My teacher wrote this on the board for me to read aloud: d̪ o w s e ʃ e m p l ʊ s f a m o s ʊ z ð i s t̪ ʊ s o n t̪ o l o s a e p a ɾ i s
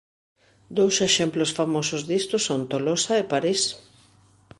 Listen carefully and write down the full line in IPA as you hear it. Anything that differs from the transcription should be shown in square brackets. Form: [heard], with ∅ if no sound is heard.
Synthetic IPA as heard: d̪ o w s e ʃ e m p l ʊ s f a m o s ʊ z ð i s t̪ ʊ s o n t̪ o l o s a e p a ɾ i s